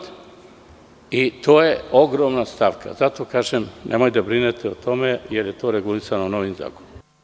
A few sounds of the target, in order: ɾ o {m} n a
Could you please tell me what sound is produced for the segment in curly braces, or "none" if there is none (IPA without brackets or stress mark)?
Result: m